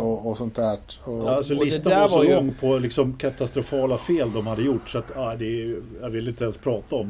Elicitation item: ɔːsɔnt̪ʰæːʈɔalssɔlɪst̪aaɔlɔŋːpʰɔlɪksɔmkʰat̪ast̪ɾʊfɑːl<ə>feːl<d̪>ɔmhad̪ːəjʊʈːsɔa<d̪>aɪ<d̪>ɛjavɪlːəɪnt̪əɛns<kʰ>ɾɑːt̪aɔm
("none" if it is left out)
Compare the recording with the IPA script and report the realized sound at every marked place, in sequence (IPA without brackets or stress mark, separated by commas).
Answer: a, d̪, t̪, d̪, pʰ